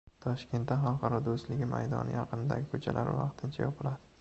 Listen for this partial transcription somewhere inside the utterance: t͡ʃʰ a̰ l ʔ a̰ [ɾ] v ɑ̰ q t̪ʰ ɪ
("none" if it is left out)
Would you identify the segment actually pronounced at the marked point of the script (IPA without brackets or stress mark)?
ɾ